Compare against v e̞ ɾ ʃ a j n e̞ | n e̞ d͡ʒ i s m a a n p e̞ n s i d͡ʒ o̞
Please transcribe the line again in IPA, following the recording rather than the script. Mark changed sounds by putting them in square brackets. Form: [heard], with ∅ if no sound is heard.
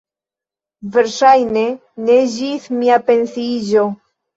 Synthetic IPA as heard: v e̞ ɾ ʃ a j n e̞ | n e̞ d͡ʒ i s m [i] a [∅] p e̞ n s i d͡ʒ o̞